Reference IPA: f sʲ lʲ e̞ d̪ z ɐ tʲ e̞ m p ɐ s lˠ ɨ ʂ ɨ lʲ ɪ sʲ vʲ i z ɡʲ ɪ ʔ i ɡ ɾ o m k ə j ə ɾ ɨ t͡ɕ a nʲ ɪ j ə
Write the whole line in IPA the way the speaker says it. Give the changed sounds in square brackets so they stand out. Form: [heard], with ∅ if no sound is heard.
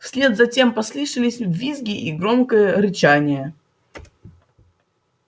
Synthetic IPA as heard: f sʲ lʲ e̞ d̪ z ɐ tʲ e̞ m p ɐ s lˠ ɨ ʂ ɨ lʲ ɪ sʲ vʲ i z ɡʲ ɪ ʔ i ɡ ɾ o m k ə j ə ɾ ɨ t͡ɕ a nʲ ɪ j ə